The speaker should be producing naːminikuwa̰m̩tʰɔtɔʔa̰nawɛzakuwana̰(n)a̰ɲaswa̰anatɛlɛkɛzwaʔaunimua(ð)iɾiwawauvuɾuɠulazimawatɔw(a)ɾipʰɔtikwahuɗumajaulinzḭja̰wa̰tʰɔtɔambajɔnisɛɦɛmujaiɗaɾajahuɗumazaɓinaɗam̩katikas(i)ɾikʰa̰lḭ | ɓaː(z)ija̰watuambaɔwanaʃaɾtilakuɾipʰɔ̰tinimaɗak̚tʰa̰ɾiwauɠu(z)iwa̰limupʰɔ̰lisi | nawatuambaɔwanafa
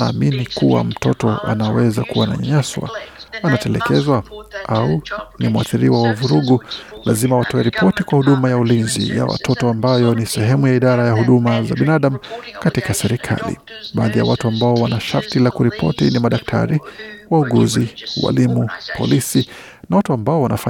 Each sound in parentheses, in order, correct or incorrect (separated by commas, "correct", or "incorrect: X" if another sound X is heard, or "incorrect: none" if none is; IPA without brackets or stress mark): incorrect: ɲ, incorrect: θ, incorrect: ɛ, incorrect: ɛ, incorrect: ð, correct